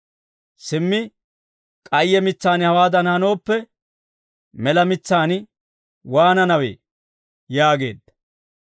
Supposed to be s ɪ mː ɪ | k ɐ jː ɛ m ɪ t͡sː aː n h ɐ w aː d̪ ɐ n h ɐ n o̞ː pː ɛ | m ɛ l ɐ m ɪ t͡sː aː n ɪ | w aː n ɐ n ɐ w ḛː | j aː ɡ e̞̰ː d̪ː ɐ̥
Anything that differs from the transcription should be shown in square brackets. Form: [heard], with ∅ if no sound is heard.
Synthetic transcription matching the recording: s ɪ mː ɪ | [kʼ] ɐ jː ɛ m ɪ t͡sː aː n h ɐ w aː d̪ ɐ n h ɐ n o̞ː pː ɛ | m ɛ l ɐ m ɪ t͡sː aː n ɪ | w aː n ɐ n ɐ w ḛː | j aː ɡ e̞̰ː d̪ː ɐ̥